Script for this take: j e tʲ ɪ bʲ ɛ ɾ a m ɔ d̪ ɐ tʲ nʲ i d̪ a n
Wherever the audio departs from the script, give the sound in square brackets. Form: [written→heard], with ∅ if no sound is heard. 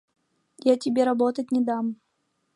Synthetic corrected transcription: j [e→a] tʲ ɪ bʲ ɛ ɾ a [m→b] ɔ [d̪→t̪] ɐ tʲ nʲ [i→ɛ] d̪ a [n→m]